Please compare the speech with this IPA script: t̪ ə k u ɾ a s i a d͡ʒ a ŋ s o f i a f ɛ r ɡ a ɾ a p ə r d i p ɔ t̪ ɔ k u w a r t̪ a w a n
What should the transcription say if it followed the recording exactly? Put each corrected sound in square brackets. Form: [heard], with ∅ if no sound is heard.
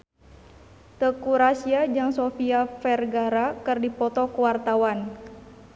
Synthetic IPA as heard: t̪ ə k u ɾ a s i a d͡ʒ a ŋ s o f i a f ɛ r ɡ a ɾ a [k] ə r d i p ɔ t̪ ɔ k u w a r t̪ a w a n